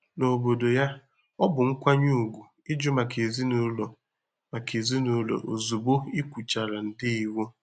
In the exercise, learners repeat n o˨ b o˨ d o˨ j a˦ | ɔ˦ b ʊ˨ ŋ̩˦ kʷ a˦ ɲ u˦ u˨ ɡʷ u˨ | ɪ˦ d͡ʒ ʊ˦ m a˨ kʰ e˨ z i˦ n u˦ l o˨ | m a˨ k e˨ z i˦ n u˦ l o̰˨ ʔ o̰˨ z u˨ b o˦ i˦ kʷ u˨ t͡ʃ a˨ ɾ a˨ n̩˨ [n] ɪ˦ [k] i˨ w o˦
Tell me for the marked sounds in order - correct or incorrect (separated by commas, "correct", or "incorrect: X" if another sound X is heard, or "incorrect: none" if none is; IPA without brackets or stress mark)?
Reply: incorrect: d, incorrect: none